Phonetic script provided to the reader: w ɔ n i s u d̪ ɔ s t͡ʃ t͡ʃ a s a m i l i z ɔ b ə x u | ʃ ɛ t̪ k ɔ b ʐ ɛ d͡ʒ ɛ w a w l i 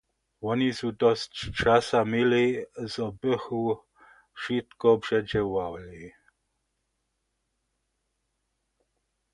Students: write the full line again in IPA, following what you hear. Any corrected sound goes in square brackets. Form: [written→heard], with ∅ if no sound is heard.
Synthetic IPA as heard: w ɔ n i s u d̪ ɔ s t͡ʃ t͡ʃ a s a m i l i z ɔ b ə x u | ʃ [ɛ→i] t̪ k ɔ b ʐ ɛ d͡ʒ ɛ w a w l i